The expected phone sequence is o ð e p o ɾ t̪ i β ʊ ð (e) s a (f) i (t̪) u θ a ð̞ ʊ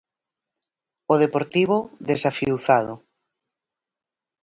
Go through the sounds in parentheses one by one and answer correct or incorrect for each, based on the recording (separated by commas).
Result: correct, correct, incorrect